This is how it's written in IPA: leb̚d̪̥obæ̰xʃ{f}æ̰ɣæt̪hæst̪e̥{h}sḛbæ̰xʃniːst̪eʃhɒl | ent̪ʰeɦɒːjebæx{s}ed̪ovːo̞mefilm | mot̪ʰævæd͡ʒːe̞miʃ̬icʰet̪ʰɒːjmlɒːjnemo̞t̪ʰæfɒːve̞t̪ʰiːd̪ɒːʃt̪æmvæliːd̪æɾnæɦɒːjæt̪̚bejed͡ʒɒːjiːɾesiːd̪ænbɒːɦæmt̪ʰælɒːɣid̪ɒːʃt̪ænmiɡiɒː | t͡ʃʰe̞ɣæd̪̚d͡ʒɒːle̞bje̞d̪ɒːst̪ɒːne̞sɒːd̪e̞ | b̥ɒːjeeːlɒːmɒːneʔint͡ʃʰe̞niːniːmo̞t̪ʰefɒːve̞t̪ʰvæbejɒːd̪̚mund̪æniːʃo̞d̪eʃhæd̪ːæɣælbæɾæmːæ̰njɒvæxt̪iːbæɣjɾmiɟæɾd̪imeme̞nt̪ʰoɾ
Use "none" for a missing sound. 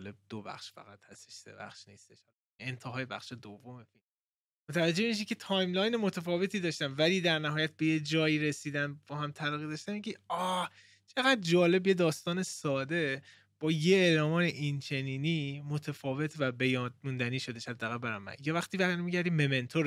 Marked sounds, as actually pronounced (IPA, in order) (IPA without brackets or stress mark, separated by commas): f, ʃ, ʃ